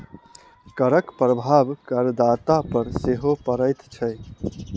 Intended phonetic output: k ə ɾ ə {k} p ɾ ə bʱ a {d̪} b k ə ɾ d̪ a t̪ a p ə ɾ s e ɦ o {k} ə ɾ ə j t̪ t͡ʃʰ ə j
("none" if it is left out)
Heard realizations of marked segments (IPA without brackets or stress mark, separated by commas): k, none, p